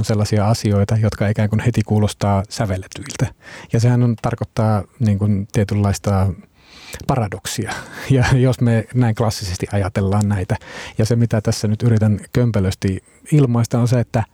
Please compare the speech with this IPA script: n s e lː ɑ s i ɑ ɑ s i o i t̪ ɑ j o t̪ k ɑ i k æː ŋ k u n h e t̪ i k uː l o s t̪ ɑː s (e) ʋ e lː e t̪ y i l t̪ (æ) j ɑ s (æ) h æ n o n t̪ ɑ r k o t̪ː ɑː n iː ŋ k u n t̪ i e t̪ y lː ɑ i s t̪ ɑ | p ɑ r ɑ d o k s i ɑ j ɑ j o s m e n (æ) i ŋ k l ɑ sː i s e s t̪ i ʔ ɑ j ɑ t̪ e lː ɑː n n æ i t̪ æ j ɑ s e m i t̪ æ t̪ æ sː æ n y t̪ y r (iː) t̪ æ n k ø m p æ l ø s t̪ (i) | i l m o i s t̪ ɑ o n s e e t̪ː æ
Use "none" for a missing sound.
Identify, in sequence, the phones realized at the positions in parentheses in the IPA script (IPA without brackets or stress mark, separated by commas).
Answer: æ, æ, e, æ, i, i